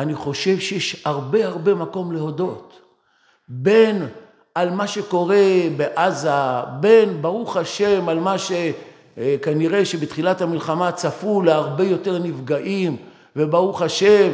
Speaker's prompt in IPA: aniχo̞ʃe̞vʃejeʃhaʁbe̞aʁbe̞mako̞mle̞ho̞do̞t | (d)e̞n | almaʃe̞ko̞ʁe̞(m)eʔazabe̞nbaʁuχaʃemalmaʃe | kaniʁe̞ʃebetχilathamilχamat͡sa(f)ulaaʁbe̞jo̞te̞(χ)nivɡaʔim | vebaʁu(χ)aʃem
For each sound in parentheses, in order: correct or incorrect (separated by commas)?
incorrect, incorrect, correct, incorrect, correct